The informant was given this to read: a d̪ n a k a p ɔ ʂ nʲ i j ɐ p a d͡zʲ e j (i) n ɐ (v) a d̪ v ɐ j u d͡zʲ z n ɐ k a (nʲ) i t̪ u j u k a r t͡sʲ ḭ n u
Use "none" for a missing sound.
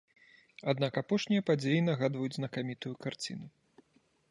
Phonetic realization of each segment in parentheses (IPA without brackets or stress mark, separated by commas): i, ɣ, mʲ